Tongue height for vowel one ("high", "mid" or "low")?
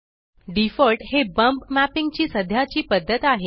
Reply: high